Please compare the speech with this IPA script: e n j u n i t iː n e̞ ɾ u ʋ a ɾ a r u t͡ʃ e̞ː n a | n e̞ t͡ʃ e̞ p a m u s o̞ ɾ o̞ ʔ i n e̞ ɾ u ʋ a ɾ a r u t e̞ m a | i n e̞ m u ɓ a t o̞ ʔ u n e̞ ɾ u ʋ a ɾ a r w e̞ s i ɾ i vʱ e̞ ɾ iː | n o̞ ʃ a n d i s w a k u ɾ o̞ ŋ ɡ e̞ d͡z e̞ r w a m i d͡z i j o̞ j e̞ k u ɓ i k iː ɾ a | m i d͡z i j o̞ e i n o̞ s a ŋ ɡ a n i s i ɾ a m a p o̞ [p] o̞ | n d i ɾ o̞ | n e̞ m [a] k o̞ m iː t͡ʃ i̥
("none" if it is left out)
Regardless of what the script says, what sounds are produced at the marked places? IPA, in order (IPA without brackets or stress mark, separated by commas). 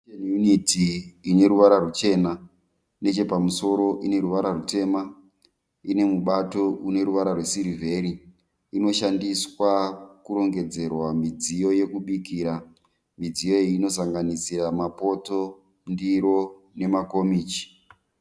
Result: t, a